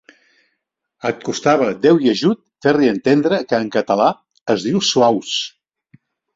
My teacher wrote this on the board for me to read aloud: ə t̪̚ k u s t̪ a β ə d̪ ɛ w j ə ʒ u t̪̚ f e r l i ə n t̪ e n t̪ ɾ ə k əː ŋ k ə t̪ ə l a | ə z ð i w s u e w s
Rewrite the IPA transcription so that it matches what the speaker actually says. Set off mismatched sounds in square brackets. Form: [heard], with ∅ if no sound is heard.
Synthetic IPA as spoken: ə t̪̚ k u s t̪ a β ə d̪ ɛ w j ə ʒ u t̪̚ f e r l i ə n t̪ e n [d̪] ɾ ə k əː ŋ k ə t̪ ə l a | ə z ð i w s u [a] w s